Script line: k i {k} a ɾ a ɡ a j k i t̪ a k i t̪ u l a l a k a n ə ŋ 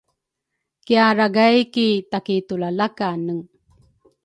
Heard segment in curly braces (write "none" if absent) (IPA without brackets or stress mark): none